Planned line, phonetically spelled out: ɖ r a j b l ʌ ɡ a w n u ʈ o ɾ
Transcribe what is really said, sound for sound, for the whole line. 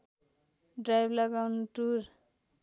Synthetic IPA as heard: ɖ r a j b l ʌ ɡ a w n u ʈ u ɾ